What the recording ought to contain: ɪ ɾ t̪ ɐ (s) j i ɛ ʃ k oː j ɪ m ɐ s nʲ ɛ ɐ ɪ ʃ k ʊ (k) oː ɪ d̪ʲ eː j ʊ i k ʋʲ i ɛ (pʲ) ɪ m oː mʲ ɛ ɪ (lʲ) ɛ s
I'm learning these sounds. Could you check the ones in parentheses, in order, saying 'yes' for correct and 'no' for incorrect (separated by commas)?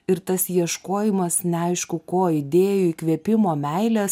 yes, yes, yes, yes